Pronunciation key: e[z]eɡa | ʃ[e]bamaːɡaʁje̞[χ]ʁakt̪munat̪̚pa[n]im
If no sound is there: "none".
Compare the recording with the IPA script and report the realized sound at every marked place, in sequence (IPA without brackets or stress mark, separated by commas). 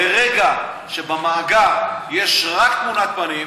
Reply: ʁ, e, ʃ, n